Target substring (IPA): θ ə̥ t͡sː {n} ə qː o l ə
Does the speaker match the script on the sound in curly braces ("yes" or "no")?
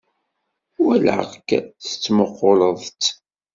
no